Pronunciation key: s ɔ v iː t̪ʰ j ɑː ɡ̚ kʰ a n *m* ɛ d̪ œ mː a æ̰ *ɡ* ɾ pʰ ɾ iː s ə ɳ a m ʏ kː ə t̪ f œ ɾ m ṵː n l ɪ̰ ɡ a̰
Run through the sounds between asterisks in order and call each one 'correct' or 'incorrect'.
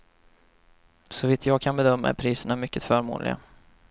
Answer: incorrect, incorrect

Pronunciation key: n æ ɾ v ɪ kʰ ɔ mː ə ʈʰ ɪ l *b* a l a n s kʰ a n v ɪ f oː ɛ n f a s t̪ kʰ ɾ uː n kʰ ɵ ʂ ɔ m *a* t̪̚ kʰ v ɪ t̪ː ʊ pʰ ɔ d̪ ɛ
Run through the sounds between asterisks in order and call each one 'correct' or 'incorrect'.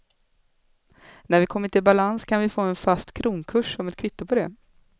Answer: correct, incorrect

